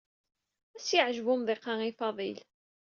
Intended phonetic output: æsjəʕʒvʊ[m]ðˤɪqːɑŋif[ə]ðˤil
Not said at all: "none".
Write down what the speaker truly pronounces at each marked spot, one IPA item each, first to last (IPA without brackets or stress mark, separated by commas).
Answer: m, ɑ